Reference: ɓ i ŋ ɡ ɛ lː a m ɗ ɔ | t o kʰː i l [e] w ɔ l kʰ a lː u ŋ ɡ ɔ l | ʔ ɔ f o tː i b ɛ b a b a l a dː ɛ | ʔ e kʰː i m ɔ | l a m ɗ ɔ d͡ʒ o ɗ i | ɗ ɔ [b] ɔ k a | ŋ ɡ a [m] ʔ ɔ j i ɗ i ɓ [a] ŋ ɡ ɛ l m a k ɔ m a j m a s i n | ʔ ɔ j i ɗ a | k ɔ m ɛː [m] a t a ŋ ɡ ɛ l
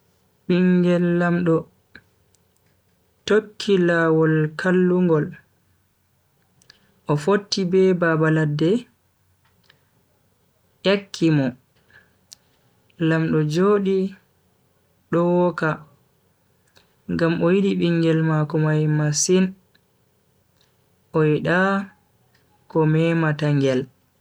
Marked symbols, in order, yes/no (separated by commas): no, no, yes, no, yes